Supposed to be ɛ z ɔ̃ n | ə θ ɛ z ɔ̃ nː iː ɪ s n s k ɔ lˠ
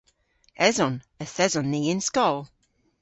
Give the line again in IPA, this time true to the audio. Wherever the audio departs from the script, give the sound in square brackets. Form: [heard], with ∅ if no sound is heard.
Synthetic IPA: ɛ z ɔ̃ n | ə θ ɛ z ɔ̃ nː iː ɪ [∅] n s k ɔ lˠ